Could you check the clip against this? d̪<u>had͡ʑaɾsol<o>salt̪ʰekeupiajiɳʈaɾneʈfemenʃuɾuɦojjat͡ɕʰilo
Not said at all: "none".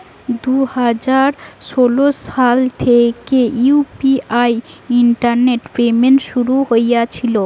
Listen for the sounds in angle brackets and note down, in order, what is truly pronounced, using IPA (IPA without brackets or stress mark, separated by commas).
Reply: u, o